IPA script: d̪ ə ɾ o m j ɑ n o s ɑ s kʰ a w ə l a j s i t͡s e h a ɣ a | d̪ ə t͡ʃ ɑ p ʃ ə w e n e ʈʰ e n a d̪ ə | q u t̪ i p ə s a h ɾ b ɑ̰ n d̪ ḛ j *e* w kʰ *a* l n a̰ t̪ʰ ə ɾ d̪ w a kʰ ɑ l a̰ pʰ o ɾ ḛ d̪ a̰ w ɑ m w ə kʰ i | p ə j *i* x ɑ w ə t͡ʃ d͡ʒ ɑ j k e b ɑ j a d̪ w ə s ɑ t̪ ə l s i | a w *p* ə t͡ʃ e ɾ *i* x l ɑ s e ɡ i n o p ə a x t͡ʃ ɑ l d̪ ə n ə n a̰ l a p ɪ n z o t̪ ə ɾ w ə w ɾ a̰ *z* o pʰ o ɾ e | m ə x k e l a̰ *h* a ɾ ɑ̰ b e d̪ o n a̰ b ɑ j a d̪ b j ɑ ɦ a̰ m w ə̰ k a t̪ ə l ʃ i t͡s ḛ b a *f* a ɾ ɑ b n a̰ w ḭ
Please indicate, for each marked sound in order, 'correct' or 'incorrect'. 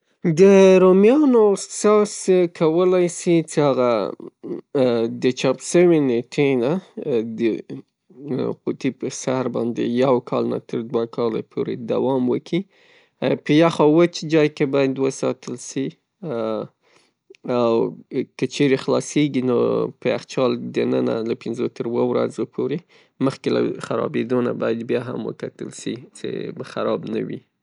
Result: incorrect: a, incorrect: ɑ, incorrect: a, incorrect: k, incorrect: e, correct, incorrect: x, incorrect: x

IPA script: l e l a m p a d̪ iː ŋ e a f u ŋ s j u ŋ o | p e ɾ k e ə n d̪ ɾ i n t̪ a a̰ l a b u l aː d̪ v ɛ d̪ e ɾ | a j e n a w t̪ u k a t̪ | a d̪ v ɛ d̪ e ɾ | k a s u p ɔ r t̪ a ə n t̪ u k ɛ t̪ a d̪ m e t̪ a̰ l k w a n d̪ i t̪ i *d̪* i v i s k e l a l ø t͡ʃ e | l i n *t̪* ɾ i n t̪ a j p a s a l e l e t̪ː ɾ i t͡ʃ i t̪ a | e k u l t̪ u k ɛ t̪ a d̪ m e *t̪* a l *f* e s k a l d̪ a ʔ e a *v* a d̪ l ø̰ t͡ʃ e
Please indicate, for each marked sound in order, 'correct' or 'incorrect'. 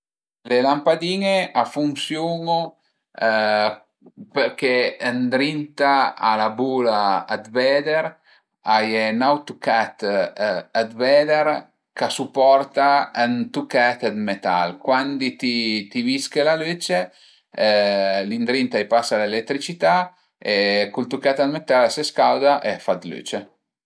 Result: incorrect: t̪, incorrect: d̪, correct, incorrect: s, incorrect: f

